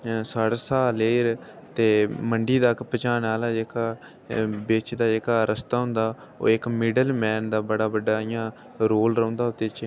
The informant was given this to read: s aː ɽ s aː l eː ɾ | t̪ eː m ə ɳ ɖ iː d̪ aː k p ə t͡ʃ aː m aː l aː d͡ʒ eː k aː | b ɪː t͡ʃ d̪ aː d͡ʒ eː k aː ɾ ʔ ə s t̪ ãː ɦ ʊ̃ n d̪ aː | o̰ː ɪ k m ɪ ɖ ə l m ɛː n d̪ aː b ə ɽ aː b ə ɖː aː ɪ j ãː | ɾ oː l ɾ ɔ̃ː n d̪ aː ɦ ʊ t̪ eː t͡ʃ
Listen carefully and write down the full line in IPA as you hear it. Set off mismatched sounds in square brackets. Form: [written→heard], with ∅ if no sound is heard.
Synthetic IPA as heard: s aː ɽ s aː l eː ɾ | t̪ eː m ə ɳ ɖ iː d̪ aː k p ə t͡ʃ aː [m→n] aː l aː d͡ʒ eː k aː | b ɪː t͡ʃ d̪ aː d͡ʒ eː k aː ɾ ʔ ə s t̪ [ãː→aː] ɦ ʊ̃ n d̪ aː | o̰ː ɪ k m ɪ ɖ ə l m ɛː n d̪ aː b ə ɽ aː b ə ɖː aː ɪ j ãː | ɾ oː l ɾ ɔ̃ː n d̪ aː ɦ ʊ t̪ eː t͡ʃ